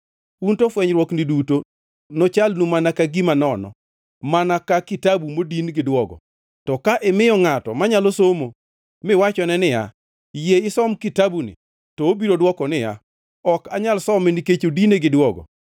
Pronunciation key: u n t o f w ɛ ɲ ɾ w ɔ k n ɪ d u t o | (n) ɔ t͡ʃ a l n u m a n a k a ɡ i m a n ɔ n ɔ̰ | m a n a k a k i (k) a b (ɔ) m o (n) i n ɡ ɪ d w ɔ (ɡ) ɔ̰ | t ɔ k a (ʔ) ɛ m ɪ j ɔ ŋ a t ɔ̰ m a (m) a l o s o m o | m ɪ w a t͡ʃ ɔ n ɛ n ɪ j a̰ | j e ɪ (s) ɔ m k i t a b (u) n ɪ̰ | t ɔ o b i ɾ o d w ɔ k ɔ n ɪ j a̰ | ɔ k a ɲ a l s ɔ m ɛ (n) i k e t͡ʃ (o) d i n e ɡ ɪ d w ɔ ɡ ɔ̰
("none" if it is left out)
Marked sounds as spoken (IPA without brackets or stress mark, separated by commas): n, t, u, d, ɡ, ʔ, ɲ, s, u, n, o